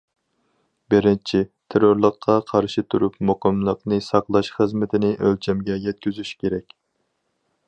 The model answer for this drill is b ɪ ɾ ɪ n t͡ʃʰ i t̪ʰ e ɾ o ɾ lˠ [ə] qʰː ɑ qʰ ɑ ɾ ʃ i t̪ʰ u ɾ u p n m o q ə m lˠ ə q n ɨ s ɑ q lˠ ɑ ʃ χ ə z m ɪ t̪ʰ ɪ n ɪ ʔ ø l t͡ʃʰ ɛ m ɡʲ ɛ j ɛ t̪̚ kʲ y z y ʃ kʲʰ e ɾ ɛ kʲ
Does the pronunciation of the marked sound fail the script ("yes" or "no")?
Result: no